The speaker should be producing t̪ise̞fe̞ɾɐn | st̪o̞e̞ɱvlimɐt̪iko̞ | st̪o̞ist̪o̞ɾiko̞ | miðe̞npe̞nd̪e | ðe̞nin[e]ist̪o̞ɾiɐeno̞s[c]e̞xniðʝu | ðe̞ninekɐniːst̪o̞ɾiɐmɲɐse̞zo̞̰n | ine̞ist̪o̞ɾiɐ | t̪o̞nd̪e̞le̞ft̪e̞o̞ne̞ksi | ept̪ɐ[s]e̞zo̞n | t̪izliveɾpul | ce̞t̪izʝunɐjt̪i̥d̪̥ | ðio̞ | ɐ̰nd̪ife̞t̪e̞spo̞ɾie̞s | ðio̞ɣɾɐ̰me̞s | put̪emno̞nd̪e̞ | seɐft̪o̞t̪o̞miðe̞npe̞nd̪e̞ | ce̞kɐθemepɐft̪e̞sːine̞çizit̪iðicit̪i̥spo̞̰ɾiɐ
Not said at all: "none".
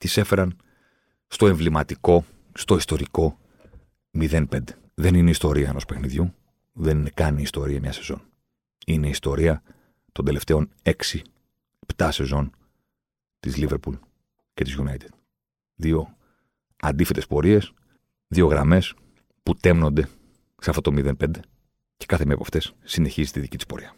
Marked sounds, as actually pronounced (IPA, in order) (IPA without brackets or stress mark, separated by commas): e, p, s